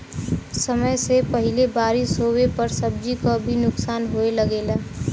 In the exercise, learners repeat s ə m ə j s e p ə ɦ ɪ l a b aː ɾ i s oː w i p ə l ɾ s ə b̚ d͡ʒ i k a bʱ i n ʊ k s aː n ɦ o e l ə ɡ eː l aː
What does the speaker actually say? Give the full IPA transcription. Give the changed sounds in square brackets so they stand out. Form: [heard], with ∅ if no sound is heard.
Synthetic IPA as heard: s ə m ə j s e p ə ɦ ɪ l [e] b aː ɾ i s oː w [e] p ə [∅] ɾ s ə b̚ d͡ʒ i k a bʱ i n ʊ k s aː n ɦ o e l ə ɡ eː l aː